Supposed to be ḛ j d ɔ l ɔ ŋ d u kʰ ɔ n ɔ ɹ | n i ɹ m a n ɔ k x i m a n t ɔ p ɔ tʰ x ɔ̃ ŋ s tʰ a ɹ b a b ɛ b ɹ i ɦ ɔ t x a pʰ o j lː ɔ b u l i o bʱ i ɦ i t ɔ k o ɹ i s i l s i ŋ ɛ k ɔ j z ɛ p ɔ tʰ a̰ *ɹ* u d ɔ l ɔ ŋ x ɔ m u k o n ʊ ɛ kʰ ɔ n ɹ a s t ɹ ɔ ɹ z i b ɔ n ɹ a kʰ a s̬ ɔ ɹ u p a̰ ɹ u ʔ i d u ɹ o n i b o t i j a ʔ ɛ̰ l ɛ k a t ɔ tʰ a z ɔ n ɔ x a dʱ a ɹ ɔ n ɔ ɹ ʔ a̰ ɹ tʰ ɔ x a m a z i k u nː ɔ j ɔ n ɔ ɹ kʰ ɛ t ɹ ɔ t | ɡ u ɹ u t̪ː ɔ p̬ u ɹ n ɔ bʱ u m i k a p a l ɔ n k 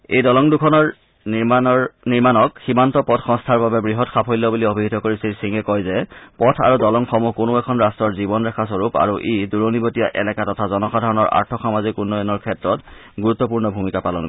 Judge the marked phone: correct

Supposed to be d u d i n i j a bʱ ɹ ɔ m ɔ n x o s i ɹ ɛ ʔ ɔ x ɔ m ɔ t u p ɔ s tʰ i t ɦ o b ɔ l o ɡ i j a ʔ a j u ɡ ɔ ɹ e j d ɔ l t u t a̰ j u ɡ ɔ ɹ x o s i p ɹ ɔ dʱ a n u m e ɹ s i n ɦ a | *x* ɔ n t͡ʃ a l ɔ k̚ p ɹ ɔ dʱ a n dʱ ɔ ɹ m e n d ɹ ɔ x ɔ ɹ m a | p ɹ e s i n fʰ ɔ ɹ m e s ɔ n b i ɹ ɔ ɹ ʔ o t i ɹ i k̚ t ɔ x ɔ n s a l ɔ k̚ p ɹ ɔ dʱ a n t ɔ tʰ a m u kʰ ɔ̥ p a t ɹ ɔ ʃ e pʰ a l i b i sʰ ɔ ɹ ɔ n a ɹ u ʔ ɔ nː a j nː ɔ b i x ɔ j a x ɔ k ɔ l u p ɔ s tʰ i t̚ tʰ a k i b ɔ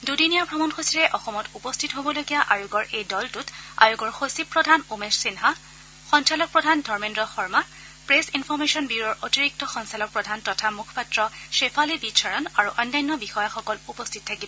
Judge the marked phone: correct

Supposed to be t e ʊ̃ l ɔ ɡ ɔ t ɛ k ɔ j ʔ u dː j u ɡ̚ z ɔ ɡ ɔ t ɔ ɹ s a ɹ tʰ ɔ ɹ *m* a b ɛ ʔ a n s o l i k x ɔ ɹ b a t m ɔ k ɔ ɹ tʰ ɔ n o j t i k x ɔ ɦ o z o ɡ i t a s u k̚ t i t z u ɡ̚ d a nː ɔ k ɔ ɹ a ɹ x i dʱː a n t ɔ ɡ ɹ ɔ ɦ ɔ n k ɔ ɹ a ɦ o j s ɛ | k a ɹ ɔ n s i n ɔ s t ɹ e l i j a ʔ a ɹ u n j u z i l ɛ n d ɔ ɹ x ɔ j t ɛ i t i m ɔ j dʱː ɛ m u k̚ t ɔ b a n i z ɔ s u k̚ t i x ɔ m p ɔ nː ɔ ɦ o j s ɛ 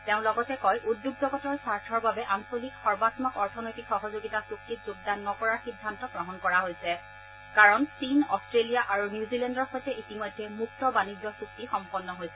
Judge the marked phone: incorrect: b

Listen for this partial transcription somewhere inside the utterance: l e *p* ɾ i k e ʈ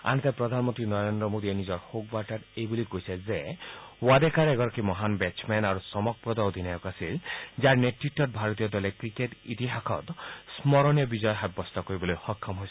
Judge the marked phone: incorrect: k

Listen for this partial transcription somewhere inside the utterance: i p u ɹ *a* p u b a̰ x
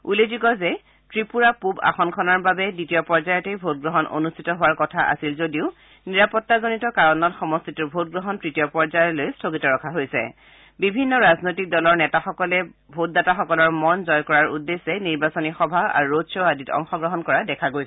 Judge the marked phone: correct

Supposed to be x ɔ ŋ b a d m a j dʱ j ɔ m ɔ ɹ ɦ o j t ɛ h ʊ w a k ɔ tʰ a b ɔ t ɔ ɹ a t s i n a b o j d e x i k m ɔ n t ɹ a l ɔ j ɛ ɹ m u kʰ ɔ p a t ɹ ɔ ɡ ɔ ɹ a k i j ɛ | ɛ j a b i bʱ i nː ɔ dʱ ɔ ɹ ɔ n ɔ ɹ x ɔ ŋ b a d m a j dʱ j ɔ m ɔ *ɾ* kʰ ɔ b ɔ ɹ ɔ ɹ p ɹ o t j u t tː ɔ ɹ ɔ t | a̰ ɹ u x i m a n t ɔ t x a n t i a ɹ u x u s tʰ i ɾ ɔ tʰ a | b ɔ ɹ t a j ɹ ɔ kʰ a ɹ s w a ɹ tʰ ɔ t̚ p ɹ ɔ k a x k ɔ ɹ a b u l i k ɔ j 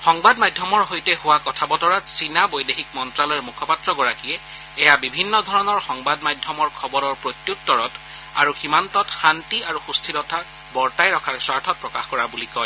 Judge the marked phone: incorrect: ɹ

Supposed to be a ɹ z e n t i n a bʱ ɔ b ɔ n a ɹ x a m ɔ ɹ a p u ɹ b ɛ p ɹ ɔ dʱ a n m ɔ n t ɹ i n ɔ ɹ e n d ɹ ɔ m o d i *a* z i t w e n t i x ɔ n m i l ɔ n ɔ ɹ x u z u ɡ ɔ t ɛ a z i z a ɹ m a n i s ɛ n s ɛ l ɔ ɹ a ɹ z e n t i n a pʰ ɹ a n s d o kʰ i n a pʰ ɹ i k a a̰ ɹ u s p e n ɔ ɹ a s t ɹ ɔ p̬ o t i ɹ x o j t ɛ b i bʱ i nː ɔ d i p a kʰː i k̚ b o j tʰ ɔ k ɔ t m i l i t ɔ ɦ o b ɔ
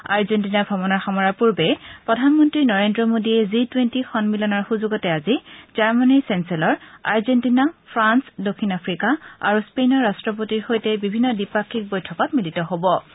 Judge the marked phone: incorrect: ɛ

